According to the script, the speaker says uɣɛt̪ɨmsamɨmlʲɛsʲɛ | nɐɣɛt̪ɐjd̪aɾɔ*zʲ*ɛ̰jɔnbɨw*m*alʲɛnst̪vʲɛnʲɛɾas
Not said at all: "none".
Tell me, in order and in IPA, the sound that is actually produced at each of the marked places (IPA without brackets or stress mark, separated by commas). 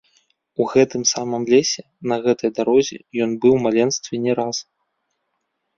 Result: zʲ, m